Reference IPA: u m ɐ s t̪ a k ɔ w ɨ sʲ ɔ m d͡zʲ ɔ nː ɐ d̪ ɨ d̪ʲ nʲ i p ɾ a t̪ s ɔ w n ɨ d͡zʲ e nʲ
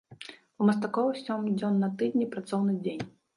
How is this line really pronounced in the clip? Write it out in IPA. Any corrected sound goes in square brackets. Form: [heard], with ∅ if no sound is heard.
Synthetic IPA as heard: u m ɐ s t̪ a k ɔ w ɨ sʲ ɔ m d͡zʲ ɔ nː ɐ [t̪] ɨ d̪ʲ nʲ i p ɾ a t̪ s ɔ w n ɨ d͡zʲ e nʲ